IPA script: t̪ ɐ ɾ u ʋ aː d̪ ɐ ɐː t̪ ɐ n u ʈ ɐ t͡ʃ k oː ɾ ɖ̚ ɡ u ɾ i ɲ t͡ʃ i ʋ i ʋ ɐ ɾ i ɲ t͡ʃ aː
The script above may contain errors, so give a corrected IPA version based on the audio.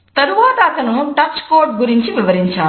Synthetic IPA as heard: t̪ ɐ ɾ u ʋ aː t̪ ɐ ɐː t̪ ɐ n u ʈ ɐ t͡ʃ k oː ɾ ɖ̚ ɡ u ɾ i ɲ t͡ʃ i ʋ i ʋ ɐ ɾ i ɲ t͡ʃ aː